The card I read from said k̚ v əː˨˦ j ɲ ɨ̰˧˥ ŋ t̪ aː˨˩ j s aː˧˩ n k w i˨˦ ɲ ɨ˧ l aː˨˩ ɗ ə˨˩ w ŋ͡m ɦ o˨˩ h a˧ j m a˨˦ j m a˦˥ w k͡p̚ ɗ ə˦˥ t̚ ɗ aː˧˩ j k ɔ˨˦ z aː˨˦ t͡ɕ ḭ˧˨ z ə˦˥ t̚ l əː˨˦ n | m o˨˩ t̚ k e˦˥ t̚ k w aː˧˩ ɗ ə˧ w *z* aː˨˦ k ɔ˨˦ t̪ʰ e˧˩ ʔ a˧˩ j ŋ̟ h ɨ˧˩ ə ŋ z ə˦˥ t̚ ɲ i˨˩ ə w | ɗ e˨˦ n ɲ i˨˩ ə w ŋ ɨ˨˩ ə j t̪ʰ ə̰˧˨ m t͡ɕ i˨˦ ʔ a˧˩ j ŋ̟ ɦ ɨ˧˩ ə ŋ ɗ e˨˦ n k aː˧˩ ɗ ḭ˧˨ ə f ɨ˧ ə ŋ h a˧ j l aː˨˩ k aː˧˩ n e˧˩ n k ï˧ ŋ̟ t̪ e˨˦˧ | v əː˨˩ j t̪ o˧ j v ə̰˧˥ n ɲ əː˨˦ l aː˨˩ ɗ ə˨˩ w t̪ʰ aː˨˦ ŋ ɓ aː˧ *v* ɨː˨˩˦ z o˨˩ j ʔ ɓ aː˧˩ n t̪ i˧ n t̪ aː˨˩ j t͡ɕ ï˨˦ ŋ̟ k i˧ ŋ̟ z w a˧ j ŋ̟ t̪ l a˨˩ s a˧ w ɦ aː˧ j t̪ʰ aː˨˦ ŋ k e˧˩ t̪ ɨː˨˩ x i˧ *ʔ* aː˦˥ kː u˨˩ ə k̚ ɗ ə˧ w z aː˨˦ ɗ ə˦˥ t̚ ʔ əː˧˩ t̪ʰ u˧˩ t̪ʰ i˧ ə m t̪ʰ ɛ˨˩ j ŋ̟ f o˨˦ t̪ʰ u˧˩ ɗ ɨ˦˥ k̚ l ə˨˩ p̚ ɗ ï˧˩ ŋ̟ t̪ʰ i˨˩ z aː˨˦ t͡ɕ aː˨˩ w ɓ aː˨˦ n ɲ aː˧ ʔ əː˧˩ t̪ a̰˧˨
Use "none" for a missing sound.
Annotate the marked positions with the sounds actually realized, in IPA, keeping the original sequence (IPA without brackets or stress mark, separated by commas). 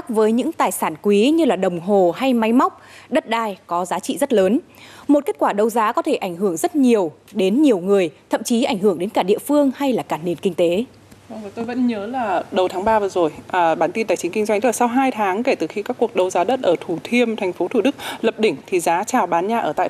z, v, k